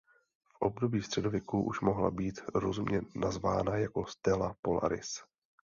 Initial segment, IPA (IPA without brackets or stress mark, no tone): f